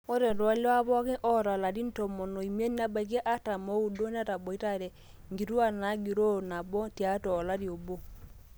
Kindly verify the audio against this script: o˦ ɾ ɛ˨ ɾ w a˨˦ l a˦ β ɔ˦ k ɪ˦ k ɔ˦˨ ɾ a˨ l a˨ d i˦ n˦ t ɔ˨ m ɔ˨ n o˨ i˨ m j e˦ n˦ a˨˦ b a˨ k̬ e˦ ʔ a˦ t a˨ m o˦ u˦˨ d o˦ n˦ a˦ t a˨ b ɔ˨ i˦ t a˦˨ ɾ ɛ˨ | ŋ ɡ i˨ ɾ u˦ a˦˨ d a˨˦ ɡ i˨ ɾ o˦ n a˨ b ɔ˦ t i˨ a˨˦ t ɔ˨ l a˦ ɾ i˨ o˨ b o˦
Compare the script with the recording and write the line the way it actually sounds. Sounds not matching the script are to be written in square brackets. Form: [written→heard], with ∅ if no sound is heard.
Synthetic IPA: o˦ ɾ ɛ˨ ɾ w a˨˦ l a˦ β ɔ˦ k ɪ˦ [k→ʔ] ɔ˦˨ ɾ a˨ l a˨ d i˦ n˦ t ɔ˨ m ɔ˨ n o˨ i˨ m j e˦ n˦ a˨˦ b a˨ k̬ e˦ ʔ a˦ t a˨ m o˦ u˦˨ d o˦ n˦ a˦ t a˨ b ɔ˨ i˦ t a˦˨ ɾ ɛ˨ | ŋ ɡ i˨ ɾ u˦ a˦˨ [d→n] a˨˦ ɡ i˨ ɾ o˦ n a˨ b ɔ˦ t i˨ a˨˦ t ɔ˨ l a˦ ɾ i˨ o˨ b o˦